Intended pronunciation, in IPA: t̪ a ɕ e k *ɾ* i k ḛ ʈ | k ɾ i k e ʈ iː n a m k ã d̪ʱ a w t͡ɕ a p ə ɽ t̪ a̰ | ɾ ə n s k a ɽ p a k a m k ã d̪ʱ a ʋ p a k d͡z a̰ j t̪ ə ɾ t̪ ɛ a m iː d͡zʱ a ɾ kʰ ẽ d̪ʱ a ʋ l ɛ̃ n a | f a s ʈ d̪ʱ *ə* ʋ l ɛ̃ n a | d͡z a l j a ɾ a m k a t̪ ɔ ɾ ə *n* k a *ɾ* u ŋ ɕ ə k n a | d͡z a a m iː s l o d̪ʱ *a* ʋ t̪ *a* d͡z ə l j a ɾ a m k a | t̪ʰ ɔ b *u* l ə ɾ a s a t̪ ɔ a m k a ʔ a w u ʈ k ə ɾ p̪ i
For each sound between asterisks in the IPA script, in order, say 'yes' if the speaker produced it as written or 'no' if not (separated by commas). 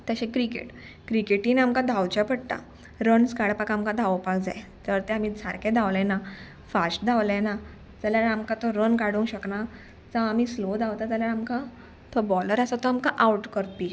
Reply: yes, no, yes, no, yes, yes, no